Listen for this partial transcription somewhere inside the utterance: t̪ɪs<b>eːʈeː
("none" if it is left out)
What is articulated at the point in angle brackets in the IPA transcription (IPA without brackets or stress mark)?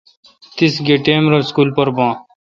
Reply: ɡ